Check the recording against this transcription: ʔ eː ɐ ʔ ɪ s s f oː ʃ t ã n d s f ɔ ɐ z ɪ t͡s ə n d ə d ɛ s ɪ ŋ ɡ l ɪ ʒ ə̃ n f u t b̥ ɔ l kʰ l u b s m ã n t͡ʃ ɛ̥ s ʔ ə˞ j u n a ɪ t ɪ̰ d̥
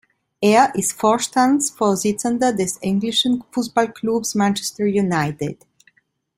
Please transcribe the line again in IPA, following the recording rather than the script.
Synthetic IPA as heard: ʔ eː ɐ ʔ ɪ s t f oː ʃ t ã n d s f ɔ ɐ z ɪ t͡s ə n d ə d ɛ s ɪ ŋ ɡ l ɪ ʃ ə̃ n f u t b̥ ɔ l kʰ l u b s m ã n t͡ʃ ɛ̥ s t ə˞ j u n a ɪ t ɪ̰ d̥